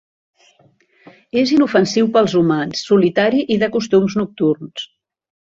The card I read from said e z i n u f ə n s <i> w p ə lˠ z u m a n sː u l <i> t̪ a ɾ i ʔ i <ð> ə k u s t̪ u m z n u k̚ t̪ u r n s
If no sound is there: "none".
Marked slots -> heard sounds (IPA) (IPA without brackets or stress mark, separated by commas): i, i, ð